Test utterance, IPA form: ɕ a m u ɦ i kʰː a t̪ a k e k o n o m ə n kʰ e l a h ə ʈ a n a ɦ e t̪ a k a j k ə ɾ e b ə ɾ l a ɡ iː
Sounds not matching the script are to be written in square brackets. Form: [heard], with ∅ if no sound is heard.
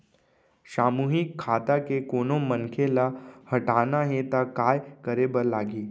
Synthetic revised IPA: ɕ a m u ɦ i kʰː a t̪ a k e k o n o m ə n kʰ e l a h ə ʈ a n a ɦ e t̪ a k a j k ə ɾ e b ə ɾ l a ɡ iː